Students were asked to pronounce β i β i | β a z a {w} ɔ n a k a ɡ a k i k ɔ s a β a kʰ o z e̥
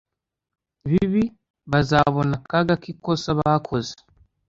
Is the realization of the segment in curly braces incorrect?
yes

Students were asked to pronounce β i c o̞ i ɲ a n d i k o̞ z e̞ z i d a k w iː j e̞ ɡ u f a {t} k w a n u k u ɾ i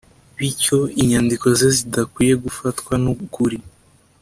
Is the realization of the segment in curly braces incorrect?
no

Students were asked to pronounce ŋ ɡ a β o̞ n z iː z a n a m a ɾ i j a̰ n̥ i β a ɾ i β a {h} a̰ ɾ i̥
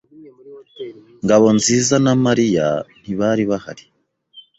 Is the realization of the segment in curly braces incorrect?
no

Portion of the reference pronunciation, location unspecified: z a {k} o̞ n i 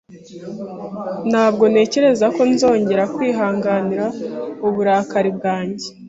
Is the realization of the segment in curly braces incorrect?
no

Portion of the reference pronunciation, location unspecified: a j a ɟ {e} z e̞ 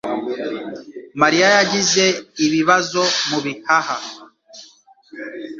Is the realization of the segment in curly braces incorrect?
yes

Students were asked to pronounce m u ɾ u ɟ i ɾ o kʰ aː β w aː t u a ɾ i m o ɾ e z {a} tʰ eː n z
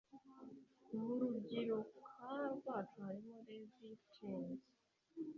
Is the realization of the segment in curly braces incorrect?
yes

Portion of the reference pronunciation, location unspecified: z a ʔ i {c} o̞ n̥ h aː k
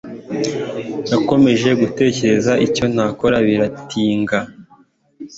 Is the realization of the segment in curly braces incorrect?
no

